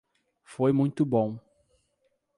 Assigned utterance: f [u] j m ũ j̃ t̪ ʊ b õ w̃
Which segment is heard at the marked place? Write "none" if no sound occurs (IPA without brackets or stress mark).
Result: o